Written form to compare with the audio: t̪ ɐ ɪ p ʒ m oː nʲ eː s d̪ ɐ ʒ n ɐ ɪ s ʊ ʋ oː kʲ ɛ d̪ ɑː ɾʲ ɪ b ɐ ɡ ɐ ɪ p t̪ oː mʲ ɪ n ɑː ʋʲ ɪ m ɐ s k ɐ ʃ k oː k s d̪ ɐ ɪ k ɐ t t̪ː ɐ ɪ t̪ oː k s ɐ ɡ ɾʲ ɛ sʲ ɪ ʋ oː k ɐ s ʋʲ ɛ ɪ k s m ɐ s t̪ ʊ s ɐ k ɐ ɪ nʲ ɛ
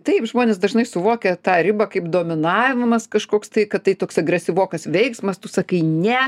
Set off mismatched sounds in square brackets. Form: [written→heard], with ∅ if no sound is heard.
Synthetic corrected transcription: t̪ ɐ ɪ p ʒ m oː nʲ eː s d̪ ɐ ʒ n ɐ ɪ s ʊ ʋ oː kʲ ɛ [d̪→t̪] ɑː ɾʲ ɪ b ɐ [ɡ→k] ɐ ɪ p [t̪→d̪] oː mʲ ɪ n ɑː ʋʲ ɪ m ɐ s k ɐ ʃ k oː k s [d̪→t̪] ɐ ɪ k ɐ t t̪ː ɐ ɪ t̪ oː k s ɐ ɡ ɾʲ ɛ sʲ ɪ ʋ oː k ɐ s ʋʲ ɛ ɪ k s m ɐ s t̪ ʊ s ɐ k ɐ ɪ nʲ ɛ